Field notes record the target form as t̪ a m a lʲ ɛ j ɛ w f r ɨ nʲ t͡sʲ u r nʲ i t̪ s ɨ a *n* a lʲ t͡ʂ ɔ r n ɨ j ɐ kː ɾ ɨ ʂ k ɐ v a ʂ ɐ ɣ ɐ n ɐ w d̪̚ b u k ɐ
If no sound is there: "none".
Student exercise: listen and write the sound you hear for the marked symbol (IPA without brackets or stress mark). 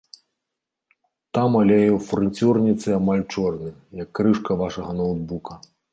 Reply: m